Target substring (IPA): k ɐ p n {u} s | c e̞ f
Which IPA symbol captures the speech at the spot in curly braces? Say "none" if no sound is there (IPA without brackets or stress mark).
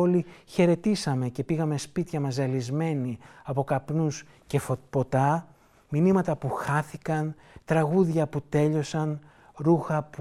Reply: u